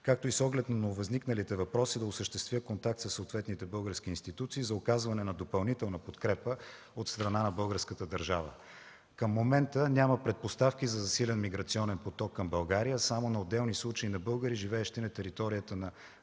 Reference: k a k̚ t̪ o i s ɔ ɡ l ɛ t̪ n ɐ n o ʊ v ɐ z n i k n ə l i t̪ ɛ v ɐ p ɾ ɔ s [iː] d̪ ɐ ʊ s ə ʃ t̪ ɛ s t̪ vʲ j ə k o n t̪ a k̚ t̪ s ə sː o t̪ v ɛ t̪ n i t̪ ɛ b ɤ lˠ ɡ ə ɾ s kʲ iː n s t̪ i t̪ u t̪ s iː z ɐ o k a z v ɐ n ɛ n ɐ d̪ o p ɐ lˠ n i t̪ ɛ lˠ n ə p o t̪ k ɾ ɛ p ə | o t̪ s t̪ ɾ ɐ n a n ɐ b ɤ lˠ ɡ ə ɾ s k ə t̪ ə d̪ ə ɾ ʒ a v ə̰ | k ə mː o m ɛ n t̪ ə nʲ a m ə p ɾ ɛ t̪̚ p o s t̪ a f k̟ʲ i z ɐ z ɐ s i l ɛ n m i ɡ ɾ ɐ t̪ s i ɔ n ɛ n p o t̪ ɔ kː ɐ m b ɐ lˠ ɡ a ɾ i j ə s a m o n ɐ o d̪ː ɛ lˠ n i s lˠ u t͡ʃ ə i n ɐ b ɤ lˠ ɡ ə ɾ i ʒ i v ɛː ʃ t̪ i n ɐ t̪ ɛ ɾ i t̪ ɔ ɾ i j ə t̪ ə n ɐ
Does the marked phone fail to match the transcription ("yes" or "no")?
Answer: yes